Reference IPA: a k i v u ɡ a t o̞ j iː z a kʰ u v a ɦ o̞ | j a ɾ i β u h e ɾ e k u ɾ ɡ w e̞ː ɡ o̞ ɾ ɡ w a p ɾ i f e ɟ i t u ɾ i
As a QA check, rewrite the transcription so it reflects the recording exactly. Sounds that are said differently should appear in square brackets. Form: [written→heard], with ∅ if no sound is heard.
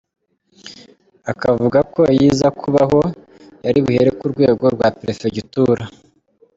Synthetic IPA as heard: a k [i→a] v u ɡ a [t→k] o̞ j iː z a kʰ u [v→β] a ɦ o̞ | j a ɾ i β u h e ɾ e k u ɾ ɡ w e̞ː ɡ o̞ ɾ ɡ w a p ɾ [i→e] f e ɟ i t u ɾ [i→a]

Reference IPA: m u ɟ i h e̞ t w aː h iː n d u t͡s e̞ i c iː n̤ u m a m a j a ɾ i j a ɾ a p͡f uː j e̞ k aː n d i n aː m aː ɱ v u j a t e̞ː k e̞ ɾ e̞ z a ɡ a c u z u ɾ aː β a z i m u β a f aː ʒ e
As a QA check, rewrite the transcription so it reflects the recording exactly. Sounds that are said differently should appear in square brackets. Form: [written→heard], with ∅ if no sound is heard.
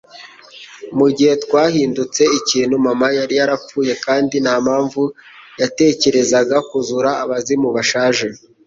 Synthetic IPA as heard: m u ɟ i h e̞ t w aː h iː n d u t͡s e̞ i c iː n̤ u m a m a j a ɾ i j a ɾ a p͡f uː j e̞ k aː n d i n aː m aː ɱ v u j a t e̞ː [k→c] e̞ ɾ e̞ z a ɡ a [c→k] u z u ɾ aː β a z i m u β a [f→ʃ] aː ʒ e

